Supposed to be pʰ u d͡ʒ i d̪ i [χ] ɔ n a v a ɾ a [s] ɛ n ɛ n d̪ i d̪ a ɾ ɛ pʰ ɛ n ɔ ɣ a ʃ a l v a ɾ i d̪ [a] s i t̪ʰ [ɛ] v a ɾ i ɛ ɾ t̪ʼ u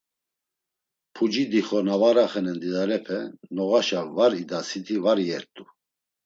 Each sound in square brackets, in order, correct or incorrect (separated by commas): correct, incorrect, correct, incorrect